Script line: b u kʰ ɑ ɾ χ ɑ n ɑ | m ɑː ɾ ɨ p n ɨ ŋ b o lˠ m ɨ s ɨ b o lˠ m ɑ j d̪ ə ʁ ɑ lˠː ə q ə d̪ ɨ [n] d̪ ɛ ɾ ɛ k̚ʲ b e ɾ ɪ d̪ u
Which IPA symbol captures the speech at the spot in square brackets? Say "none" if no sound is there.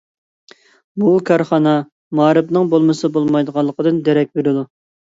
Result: n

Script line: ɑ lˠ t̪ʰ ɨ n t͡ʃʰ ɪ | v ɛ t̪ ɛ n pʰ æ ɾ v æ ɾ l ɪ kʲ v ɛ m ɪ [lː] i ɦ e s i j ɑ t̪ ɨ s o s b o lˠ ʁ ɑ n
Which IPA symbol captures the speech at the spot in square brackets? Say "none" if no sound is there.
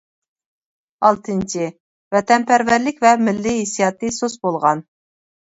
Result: lː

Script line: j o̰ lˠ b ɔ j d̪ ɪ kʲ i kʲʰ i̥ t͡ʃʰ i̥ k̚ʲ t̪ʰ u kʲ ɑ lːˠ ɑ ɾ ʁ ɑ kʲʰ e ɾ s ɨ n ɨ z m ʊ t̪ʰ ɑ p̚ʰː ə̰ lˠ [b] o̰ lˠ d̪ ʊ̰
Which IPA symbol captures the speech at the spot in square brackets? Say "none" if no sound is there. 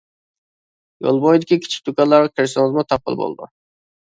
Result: b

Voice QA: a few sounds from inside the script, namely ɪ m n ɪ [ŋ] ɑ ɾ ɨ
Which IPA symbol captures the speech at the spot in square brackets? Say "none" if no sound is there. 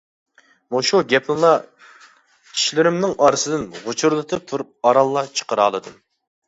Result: ŋ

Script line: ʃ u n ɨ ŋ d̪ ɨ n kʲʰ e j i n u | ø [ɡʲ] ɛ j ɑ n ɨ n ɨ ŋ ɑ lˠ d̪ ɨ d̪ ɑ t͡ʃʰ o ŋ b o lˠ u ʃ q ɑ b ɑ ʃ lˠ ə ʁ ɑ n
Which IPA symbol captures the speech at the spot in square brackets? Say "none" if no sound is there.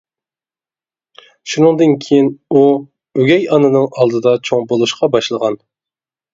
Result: ɡʲ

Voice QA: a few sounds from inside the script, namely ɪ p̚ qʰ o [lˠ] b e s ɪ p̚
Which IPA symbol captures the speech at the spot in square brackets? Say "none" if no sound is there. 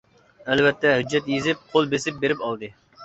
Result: lˠ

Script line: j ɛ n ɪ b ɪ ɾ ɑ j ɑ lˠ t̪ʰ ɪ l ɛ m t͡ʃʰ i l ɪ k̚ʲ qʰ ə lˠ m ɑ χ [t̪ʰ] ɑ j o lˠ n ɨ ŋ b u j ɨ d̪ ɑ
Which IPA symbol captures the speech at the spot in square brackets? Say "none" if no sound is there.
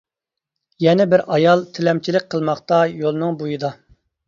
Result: t̪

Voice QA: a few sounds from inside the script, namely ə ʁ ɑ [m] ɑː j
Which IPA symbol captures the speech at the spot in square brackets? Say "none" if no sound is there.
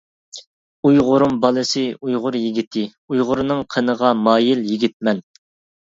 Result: m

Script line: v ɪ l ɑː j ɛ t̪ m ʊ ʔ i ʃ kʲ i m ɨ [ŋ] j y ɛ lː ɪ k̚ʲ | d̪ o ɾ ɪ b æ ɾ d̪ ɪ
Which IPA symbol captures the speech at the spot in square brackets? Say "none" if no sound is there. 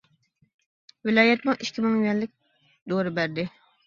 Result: ŋ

